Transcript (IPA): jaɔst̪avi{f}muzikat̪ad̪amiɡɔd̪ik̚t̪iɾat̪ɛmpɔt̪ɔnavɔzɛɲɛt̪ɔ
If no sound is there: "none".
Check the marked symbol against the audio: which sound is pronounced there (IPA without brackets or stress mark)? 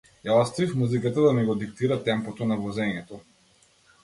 f